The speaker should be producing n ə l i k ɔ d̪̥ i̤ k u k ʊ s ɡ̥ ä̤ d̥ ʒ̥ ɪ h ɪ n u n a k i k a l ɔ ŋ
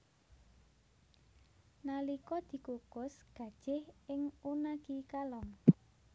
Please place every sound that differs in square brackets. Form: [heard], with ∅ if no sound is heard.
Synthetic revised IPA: n [a] l i k ɔ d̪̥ i̤ k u k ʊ s ɡ̥ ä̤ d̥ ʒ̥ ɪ h ɪ [ŋ] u n a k i k a l ɔ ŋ